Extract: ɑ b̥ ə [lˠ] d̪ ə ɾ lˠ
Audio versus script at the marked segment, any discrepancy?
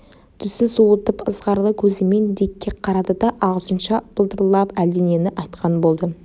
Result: no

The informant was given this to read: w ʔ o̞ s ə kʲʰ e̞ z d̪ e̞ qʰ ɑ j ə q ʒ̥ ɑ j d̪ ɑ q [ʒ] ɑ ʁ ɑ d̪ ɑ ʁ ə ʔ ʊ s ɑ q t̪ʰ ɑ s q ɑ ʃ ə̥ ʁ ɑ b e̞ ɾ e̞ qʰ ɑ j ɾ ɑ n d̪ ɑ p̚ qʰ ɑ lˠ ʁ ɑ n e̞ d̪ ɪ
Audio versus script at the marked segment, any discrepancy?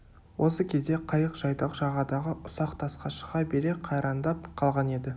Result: no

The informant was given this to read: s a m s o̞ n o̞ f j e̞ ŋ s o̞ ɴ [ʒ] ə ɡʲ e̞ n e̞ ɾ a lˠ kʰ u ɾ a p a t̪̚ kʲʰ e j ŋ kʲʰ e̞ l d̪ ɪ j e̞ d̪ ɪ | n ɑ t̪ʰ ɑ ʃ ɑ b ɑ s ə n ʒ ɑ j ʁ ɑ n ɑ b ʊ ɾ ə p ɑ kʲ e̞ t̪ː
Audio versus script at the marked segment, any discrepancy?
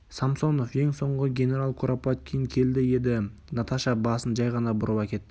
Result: yes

